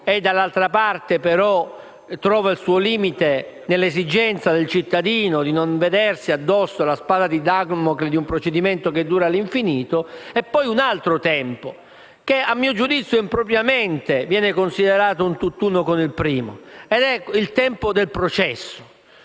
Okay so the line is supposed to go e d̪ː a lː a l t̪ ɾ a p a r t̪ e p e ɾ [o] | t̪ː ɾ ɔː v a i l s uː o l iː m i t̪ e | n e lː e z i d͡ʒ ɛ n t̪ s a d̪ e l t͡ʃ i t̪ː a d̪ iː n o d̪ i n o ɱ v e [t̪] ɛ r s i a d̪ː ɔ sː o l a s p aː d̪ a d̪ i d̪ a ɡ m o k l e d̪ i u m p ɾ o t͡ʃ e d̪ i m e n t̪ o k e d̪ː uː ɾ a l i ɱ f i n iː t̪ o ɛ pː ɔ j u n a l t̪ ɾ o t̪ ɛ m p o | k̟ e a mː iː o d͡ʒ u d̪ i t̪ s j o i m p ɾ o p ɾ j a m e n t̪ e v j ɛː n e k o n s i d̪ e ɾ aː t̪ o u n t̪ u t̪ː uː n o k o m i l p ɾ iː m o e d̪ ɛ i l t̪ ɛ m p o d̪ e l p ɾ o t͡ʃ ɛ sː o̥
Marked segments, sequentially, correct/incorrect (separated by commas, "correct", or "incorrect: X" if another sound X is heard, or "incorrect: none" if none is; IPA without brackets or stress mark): incorrect: ɔ, incorrect: d̪